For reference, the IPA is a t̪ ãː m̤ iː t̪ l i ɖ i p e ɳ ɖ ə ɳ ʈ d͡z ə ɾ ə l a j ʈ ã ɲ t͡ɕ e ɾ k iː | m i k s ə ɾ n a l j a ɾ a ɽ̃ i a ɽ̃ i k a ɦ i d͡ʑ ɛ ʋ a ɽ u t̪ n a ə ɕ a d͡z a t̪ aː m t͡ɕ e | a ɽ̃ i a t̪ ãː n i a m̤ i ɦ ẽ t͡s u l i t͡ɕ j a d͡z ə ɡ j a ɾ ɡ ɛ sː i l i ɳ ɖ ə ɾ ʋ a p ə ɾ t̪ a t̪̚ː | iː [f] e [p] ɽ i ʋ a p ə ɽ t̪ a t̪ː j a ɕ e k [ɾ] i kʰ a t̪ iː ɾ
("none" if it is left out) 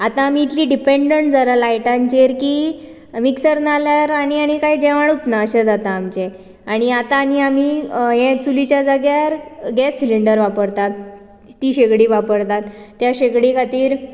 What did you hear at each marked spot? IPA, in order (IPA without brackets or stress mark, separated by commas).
ɕ, k, ɽ